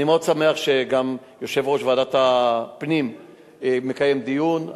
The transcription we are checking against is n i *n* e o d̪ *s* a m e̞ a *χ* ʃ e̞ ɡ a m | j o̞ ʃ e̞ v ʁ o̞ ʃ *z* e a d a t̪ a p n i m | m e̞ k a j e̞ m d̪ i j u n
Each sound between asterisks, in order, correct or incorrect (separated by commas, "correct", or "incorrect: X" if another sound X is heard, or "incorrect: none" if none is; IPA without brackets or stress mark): incorrect: m, correct, correct, incorrect: v